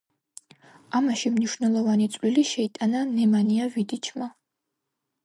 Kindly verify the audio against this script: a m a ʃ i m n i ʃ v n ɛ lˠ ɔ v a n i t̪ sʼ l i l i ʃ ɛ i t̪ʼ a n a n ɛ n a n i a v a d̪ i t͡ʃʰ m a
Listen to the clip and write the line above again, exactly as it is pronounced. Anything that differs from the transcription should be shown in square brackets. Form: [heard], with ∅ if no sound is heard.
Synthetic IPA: a m a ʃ i m n i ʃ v n ɛ lˠ ɔ v a n i t̪ sʼ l i l i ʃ ɛ i t̪ʼ a n a n ɛ [m] a n i a v [i] d̪ i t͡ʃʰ m a